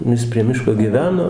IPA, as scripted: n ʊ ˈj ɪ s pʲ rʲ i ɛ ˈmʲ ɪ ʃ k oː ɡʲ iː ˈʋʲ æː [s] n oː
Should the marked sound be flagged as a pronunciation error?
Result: yes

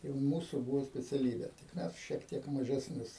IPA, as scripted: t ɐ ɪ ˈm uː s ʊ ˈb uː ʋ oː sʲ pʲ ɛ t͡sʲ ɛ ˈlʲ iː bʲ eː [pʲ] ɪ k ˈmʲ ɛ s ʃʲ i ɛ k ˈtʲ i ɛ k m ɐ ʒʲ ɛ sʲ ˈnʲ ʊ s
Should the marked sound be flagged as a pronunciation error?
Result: yes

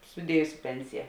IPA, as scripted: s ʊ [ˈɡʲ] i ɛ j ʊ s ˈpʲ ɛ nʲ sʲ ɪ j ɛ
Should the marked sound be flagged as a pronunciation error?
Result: yes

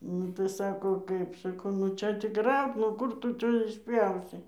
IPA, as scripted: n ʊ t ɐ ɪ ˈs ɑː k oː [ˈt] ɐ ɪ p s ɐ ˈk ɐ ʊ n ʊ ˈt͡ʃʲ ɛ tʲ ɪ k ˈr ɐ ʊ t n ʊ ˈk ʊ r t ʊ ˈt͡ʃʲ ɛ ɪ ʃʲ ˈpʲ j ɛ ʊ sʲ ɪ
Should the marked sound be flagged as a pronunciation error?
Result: yes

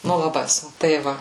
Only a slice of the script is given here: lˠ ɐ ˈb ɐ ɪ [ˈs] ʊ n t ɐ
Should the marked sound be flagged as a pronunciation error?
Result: no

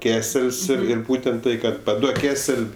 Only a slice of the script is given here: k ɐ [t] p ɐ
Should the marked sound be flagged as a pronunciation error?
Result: no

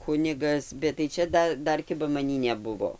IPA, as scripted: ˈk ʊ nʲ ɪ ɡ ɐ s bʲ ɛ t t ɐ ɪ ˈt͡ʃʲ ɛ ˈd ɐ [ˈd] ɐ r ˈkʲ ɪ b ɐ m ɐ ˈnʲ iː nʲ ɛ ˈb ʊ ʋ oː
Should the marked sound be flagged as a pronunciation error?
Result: no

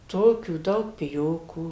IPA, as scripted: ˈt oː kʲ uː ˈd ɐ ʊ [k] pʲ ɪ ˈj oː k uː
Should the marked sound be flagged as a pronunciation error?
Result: no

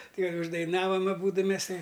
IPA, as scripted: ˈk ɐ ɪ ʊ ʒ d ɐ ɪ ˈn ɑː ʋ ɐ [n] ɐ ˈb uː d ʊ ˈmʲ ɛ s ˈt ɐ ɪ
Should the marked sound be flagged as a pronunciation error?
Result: yes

